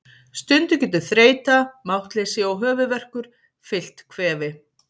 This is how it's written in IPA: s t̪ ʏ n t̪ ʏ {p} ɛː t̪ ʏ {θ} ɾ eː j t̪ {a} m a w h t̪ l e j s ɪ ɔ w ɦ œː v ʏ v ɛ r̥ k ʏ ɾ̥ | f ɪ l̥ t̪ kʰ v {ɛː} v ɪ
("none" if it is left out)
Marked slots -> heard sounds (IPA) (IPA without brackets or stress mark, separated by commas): c, θ, a, ɛː